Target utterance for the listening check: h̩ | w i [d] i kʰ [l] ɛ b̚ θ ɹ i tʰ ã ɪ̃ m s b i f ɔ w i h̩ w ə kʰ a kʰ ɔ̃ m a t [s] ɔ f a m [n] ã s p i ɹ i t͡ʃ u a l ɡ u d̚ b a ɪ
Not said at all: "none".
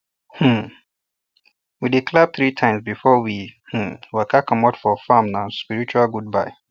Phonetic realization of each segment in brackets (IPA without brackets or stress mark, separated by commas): d, l, f, n